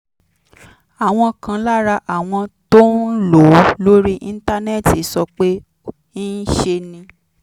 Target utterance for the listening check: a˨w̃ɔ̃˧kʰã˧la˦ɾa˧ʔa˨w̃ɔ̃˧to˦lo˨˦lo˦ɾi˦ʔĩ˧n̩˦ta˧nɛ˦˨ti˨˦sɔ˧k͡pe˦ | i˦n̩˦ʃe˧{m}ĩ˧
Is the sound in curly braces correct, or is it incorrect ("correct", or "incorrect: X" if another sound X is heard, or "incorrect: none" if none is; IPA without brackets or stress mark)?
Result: incorrect: n